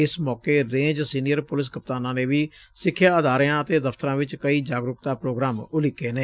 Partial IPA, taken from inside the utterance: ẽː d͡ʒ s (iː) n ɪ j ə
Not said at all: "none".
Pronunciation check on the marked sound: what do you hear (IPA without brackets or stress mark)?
iː